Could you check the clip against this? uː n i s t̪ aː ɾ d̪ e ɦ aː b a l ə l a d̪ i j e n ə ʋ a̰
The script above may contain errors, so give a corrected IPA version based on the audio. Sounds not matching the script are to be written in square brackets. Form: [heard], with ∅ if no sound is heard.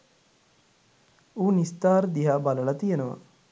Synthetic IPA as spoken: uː n i s t̪ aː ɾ d̪ [i] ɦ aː b a l ə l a [t̪] i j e n ə ʋ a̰